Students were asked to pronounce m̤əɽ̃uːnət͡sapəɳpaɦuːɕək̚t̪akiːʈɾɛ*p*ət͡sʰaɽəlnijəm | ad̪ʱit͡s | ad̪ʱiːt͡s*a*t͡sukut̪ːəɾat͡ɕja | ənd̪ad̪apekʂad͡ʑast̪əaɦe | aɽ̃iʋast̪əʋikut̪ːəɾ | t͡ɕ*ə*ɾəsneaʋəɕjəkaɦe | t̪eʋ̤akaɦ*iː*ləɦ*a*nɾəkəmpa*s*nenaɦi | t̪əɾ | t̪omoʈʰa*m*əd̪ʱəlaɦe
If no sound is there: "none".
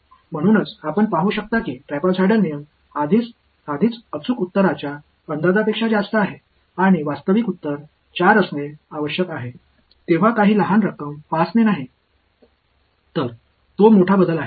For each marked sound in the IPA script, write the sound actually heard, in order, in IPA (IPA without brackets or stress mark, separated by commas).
p, ə, a, iː, a, s, b